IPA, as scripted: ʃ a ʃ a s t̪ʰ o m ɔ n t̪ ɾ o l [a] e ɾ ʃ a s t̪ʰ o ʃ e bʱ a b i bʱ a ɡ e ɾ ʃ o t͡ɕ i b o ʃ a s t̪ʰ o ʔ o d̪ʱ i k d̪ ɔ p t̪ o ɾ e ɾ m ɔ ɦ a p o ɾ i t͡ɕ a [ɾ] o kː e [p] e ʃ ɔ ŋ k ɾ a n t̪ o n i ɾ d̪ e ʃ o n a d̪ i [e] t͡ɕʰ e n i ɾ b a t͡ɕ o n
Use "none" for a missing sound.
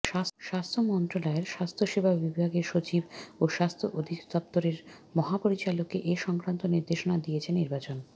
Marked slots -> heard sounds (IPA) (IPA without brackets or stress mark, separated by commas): a, l, ʔ, e